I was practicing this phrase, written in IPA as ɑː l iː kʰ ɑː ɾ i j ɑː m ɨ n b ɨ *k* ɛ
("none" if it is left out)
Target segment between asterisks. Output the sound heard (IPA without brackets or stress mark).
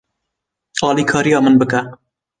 k